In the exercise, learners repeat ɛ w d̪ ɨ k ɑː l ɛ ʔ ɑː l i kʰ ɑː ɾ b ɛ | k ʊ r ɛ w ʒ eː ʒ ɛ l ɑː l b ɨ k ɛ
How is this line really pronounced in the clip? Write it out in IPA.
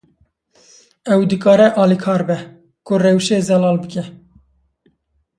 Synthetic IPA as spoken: ɛ w d̪ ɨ k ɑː ɾ ɛ ʔ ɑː l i kʰ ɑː ɾ b ɛ | k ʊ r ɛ w ʃ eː z ɛ l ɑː l b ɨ k ɛ